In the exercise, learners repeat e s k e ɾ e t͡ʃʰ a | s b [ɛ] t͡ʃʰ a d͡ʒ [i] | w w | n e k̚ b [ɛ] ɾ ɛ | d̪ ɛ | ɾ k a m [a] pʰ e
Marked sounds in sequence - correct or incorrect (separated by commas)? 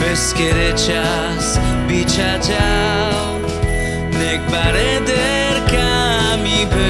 incorrect, incorrect, incorrect, incorrect